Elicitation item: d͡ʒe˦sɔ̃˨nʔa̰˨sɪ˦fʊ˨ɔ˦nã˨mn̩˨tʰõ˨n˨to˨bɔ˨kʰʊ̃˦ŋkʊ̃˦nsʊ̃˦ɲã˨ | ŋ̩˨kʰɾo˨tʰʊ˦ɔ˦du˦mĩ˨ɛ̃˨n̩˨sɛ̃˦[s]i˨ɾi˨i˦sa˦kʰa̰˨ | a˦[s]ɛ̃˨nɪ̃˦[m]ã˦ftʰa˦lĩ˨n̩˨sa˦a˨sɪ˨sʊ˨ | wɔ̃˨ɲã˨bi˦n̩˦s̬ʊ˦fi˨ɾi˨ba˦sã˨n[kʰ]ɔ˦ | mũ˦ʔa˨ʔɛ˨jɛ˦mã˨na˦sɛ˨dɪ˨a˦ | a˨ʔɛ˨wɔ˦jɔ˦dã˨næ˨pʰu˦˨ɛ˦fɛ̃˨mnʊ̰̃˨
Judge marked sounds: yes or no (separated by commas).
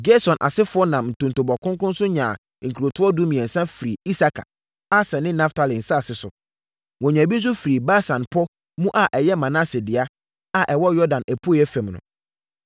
no, yes, no, no